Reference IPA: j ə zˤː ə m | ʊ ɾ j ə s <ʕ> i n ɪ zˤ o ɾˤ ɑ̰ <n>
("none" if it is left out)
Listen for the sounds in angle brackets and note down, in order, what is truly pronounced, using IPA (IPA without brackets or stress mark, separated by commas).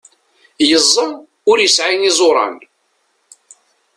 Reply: ʕ, n